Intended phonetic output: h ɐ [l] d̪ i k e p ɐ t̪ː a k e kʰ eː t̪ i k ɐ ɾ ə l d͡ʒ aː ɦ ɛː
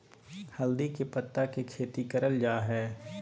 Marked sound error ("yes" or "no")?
no